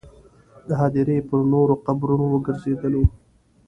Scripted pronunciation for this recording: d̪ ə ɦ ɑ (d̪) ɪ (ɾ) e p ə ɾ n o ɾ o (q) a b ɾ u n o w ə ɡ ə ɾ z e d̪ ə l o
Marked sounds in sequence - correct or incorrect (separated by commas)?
correct, correct, correct